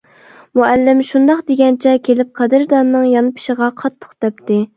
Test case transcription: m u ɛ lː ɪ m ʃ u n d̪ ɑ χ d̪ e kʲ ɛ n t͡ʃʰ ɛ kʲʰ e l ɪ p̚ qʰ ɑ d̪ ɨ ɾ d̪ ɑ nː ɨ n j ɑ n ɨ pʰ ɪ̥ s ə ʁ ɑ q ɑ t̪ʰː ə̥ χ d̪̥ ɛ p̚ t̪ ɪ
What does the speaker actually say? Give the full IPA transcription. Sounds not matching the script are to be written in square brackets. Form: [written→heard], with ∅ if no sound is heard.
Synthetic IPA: m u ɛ lː ɪ m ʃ u n d̪ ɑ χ d̪ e [kʲ→ɡʲ] ɛ n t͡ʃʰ ɛ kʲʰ e l ɪ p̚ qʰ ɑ d̪ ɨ ɾ d̪ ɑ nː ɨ [n→ŋ] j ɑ n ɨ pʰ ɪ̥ [s→ʃ] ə ʁ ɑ [q→qʰ] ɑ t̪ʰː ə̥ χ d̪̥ ɛ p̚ t̪ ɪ